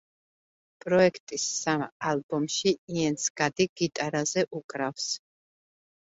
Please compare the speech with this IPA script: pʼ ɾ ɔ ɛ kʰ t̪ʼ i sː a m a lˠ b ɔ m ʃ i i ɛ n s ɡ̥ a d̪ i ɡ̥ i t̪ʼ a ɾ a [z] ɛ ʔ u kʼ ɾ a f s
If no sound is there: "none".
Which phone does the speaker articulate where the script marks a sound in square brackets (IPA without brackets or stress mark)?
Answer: z